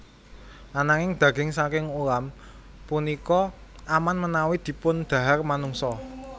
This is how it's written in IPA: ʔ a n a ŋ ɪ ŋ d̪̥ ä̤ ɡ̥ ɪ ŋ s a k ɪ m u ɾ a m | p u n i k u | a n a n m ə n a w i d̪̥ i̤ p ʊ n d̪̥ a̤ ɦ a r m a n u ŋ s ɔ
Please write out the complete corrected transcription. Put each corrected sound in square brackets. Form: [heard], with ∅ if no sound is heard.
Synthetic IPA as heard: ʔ a n a ŋ ɪ ŋ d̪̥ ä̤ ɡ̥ ɪ ŋ s a k ɪ [ŋ] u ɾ a m | p u n i k [ɔ] | a [m] a n m ə n a w i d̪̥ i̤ p ʊ n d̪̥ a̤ ɦ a r m a n u ŋ s ɔ